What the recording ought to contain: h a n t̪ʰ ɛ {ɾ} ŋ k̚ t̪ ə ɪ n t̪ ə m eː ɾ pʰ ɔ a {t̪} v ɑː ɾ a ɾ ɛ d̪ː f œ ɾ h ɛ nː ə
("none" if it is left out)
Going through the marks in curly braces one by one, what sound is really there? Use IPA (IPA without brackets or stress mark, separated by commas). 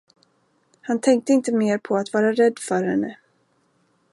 none, t̪